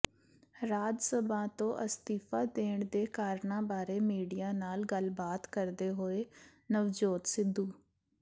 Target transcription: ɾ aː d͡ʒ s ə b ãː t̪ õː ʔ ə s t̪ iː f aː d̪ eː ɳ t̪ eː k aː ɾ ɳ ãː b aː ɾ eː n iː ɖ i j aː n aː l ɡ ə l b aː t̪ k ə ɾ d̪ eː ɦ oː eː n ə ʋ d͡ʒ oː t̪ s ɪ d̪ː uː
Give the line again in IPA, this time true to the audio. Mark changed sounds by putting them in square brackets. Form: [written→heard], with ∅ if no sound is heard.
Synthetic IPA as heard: ɾ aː d͡ʒ s ə b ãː t̪ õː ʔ ə s t̪ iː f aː d̪ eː ɳ [t̪→d̪] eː k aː ɾ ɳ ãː b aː ɾ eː [n→m] iː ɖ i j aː n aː l ɡ ə l b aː t̪ k ə ɾ d̪ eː ɦ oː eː n ə ʋ d͡ʒ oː t̪ s ɪ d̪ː uː